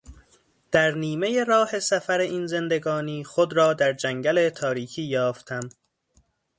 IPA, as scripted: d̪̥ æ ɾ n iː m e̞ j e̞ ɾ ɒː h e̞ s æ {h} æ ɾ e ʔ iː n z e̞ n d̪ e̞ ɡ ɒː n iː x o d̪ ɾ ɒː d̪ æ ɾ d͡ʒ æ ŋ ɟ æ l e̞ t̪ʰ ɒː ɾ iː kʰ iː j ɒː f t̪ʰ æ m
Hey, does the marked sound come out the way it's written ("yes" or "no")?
no